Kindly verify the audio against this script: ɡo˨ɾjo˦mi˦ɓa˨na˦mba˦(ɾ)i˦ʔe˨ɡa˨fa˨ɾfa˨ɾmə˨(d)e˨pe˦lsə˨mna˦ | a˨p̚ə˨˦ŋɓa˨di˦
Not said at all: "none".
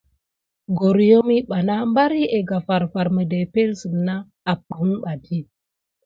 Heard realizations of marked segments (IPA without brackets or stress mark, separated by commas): ɾ, d